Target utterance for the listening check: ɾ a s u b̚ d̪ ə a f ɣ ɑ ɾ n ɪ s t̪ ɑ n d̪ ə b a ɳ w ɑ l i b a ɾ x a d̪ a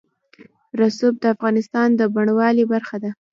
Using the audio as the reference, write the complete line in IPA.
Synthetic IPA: ɾ a s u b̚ d̪ ə a f ɣ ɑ n ɪ s t̪ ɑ n d̪ ə b a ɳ w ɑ l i b a ɾ x a d̪ a